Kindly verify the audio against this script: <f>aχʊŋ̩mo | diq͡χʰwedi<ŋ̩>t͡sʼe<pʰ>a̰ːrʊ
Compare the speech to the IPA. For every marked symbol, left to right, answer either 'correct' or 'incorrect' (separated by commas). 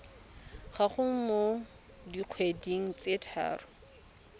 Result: incorrect, correct, incorrect